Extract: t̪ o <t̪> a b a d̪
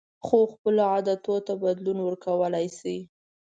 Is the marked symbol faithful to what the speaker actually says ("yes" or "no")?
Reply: yes